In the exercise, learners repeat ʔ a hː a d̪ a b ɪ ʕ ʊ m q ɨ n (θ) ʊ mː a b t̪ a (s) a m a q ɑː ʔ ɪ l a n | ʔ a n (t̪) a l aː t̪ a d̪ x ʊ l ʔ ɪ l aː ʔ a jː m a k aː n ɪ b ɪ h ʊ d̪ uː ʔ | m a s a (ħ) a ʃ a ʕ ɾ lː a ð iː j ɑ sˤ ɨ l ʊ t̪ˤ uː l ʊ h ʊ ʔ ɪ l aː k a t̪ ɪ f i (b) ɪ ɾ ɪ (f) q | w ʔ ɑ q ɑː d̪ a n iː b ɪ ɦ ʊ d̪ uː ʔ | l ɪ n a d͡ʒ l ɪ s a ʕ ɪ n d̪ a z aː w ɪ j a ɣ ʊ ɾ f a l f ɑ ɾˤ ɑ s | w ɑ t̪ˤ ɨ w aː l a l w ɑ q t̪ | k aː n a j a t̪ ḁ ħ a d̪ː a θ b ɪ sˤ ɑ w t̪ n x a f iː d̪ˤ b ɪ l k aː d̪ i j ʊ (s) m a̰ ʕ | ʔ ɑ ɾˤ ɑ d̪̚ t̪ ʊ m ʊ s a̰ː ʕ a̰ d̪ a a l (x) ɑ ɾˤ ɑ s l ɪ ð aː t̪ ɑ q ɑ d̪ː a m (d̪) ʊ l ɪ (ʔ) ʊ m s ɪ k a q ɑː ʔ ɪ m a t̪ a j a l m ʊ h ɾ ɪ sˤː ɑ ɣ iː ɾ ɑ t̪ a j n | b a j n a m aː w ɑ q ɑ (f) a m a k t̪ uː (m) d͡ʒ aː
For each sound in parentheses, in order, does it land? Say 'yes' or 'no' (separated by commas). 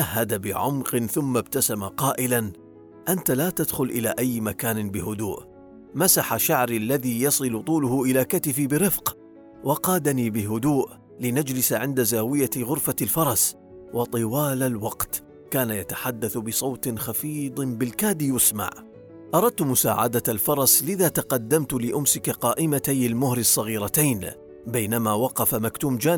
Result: yes, yes, yes, yes, yes, yes, yes, no, no, yes, yes, yes